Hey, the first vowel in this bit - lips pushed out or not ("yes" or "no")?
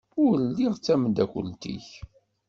yes